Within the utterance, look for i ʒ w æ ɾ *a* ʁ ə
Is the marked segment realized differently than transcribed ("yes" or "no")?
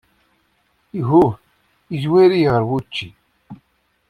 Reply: yes